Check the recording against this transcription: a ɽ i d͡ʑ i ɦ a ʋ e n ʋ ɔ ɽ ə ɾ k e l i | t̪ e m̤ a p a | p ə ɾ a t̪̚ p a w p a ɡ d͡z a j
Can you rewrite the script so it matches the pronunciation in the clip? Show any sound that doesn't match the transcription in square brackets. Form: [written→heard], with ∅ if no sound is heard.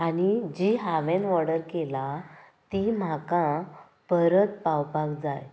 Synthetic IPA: a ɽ i d͡ʑ i ɦ a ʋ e n ʋ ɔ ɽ ə ɾ k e l [i→a] | t̪ [e→i] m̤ a [p→k] a | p ə ɾ [a→ə] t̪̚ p a w p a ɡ d͡z a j